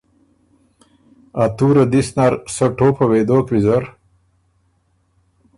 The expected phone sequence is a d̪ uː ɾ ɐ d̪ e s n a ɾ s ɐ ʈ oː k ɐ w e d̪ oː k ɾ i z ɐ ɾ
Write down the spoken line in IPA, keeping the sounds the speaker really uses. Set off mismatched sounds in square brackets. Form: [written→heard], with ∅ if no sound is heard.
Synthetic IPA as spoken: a [d̪→t̪] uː ɾ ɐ d̪ [e→i] s n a ɾ s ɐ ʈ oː [k→p] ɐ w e d̪ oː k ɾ i z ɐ ɾ